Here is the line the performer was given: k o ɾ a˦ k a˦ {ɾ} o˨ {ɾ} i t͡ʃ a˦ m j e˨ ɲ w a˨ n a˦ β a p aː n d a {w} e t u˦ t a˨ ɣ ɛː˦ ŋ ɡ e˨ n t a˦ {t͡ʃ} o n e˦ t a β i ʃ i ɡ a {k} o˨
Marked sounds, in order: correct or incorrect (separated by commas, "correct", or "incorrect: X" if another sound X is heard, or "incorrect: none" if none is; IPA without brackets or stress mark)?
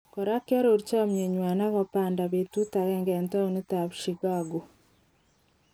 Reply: correct, correct, incorrect: β, incorrect: none, incorrect: ɡ